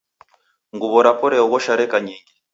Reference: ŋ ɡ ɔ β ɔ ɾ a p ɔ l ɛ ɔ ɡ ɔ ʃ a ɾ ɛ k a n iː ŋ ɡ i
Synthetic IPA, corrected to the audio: ŋ ɡ u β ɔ ɾ a p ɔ ɾ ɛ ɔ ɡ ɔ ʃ a ɾ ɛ k a ɲ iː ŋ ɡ i